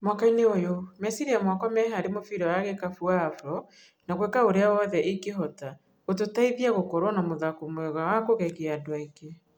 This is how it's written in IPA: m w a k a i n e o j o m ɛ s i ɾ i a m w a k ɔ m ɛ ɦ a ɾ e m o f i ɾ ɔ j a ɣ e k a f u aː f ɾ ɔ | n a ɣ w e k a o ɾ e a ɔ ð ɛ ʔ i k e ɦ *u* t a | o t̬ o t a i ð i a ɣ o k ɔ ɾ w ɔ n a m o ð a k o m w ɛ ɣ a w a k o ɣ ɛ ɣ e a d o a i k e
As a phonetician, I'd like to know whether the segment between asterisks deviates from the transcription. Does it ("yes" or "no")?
yes